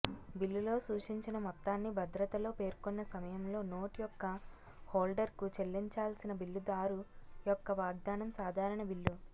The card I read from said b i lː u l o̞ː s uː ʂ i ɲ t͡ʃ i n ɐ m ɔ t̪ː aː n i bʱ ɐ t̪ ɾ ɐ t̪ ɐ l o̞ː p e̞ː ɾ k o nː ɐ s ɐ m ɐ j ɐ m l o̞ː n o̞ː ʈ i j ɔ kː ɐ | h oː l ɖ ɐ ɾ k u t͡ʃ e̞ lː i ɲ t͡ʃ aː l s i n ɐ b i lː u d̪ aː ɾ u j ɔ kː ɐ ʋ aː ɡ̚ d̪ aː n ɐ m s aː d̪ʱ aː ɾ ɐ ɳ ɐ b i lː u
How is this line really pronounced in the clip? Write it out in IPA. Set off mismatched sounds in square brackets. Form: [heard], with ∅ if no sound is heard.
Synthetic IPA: b i lː u l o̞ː s uː ʂ i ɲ t͡ʃ i n ɐ m ɔ t̪ː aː [nː] i bʱ ɐ [d̪] ɾ ɐ t̪ ɐ l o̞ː p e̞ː ɾ k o nː ɐ s ɐ m ɐ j ɐ m l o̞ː n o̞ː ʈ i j ɔ kː ɐ | h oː l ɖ ɐ ɾ k u t͡ʃ e̞ lː i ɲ t͡ʃ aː l s i n ɐ b i lː u d̪ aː ɾ u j ɔ kː ɐ ʋ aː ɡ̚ d̪ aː n ɐ m s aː d̪ʱ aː ɾ ɐ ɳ ɐ b i lː u